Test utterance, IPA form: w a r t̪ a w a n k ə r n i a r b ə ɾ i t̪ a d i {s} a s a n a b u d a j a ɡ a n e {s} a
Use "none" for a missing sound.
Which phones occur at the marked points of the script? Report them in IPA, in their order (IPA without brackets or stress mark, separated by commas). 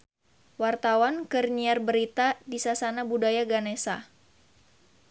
s, s